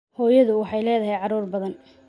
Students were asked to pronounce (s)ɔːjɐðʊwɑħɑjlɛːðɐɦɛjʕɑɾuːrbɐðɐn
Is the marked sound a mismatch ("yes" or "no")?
yes